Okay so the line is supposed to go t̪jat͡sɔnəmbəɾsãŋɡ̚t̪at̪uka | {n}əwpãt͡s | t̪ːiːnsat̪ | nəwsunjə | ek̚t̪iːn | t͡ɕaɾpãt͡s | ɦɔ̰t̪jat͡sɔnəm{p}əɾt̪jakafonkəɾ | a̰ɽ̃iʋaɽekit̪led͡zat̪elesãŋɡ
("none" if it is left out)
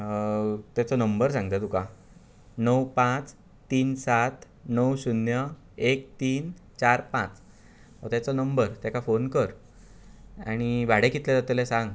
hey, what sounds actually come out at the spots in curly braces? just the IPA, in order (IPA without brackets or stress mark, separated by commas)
n, b